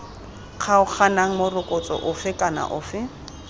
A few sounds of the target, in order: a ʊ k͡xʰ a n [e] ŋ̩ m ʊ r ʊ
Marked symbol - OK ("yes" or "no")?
no